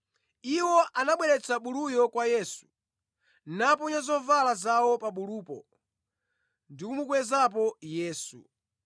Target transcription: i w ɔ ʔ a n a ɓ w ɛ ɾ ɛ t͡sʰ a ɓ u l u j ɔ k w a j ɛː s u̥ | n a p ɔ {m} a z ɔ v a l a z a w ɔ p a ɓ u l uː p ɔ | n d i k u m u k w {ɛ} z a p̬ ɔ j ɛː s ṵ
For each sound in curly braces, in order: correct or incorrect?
incorrect: ɲ, correct

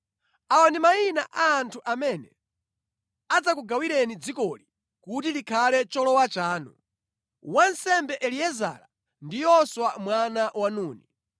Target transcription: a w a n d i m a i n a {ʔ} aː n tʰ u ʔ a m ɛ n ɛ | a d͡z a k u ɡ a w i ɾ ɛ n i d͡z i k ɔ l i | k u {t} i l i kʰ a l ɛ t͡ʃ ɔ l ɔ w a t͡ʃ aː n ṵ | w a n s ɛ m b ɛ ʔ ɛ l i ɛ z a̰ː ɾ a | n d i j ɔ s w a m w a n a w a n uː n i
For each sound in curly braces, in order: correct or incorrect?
correct, correct

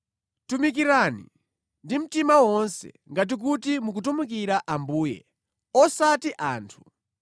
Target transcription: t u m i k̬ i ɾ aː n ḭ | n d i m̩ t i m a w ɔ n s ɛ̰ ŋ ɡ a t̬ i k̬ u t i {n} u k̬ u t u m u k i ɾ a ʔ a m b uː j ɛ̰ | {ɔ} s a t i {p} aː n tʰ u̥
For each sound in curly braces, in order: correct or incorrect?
incorrect: m, correct, incorrect: ʔ

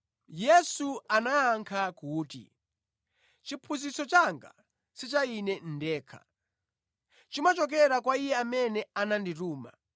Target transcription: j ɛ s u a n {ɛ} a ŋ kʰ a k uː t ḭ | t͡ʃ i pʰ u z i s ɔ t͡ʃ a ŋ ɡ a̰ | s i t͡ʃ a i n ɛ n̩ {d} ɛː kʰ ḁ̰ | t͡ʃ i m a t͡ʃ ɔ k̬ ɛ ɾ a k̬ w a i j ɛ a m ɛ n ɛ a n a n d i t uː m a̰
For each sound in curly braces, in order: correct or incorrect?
incorrect: a, correct

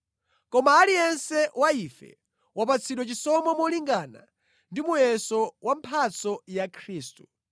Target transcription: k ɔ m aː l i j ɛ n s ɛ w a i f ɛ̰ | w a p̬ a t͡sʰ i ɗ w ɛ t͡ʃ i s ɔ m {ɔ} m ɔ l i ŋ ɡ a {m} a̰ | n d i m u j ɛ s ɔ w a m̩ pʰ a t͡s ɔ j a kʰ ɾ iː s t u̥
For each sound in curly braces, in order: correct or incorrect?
correct, incorrect: n

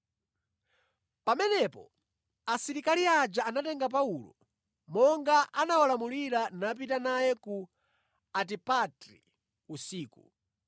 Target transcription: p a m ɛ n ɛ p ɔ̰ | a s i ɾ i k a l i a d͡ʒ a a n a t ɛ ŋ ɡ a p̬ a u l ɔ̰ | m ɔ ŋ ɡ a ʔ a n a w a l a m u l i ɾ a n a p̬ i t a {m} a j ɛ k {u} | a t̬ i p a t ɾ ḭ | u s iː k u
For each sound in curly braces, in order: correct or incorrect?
incorrect: n, correct

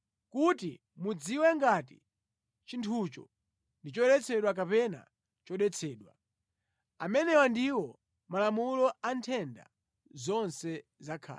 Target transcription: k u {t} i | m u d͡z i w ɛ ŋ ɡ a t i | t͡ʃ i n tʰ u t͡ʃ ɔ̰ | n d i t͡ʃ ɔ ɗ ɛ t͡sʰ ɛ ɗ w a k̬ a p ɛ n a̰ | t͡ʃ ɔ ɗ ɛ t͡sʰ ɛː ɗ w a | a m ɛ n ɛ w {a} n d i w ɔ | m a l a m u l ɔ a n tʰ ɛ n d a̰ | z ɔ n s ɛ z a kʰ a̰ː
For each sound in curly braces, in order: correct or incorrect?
correct, correct

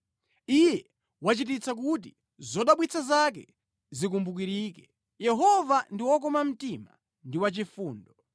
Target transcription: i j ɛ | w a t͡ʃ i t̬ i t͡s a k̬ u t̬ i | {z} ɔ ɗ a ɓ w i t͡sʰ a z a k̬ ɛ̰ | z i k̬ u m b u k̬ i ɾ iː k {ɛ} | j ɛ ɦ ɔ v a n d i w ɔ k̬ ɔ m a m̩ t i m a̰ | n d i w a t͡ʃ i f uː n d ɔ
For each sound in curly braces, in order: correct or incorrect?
correct, correct

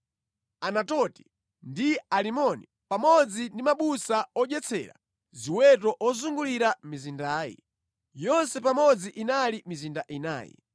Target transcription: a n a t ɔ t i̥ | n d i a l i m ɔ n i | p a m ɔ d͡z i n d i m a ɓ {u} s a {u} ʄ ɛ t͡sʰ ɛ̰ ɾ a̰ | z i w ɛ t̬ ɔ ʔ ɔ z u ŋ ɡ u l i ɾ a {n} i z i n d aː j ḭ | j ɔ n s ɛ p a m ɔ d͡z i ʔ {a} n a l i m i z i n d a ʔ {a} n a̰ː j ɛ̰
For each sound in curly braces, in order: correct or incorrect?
correct, incorrect: ɔ, incorrect: m, incorrect: i, incorrect: i

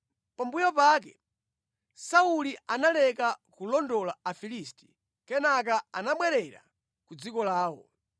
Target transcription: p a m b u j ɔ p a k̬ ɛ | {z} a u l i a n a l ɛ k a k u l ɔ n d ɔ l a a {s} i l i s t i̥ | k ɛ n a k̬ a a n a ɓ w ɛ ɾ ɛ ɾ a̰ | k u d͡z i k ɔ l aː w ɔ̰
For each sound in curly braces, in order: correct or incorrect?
incorrect: s, incorrect: f

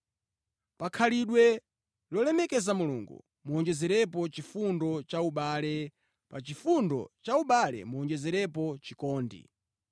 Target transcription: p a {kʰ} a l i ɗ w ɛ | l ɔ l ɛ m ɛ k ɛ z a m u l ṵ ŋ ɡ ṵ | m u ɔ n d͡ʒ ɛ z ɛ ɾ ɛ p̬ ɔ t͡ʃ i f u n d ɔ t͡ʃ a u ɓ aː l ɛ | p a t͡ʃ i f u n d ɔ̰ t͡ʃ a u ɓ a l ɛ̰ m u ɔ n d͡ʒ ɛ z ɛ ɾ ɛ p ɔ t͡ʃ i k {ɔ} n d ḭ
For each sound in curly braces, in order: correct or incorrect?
correct, incorrect: ɔː

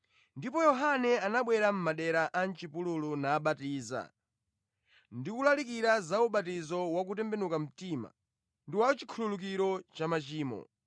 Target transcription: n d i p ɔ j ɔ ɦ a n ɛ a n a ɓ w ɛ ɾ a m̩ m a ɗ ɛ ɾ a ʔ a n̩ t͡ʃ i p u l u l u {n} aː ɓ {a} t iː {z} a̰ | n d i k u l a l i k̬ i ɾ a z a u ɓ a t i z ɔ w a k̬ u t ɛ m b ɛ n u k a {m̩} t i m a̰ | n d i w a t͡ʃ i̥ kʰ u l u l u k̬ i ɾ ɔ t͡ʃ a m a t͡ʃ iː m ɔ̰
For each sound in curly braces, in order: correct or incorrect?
correct, correct, correct, correct

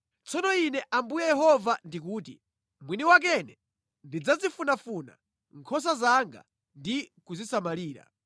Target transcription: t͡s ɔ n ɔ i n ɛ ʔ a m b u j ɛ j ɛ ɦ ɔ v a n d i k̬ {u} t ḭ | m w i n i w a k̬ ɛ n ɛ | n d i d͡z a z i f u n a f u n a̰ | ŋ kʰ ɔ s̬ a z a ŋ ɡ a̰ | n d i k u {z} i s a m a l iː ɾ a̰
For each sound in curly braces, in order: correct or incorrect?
incorrect: uː, correct

